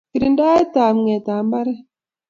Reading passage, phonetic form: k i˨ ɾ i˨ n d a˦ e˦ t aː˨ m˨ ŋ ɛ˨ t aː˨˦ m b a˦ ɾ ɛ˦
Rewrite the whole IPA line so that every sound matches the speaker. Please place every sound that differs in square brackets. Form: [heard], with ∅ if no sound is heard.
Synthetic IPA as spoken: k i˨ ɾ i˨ n d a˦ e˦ t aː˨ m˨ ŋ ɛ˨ t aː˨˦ m b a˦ ɾ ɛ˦